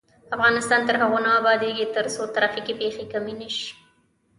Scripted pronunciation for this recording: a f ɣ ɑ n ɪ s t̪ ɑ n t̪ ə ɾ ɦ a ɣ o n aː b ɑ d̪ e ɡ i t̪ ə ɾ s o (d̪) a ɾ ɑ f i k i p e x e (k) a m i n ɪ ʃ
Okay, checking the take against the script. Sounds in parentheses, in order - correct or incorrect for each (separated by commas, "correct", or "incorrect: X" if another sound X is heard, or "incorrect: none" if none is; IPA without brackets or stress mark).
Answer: incorrect: t̪, correct